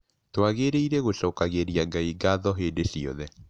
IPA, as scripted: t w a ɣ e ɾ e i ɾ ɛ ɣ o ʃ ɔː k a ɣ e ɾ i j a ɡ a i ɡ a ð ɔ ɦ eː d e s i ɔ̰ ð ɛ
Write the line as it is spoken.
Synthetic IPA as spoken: t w a ɣ e ɾ e i ɾ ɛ ɣ o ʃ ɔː k a ɣ e ɾ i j a ɡ a i ɡ a ð ɔ ɦ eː d e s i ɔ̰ ð ɛ